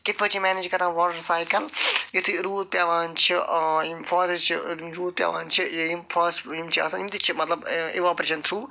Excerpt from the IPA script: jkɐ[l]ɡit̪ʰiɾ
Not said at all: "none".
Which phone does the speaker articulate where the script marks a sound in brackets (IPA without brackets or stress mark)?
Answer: l